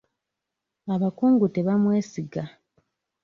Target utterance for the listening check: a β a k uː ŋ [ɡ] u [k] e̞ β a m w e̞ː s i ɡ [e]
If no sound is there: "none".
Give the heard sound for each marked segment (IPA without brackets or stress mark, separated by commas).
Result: ɡ, t, a